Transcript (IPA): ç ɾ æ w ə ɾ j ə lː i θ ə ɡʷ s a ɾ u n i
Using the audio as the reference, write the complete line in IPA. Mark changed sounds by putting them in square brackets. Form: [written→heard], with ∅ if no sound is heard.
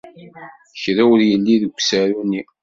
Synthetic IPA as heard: ç ɾ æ w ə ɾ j ə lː i [θ→ð] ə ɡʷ s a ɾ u n i

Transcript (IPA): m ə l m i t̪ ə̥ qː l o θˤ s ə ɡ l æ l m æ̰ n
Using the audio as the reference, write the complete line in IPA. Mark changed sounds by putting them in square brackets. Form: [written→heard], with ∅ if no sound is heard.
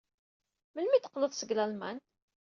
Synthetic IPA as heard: m ə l m i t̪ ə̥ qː l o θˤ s ə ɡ l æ l m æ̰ n

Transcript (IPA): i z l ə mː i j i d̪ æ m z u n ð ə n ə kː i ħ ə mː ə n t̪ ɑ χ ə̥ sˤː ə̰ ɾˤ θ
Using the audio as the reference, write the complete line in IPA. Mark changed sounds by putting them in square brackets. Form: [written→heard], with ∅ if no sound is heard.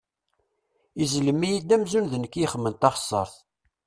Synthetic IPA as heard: i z l ə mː i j i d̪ æ m z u n ð ə n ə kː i [ħ→χ] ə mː ə n t̪ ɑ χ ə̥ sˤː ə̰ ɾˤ θ

